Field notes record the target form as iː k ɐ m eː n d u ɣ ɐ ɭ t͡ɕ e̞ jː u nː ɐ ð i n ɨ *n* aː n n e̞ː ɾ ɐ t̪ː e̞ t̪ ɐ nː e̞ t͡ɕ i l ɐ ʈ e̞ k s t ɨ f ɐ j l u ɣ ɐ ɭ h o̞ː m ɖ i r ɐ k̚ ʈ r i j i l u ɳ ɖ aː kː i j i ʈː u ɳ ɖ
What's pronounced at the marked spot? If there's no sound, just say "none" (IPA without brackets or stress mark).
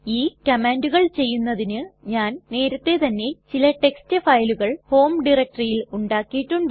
ɲ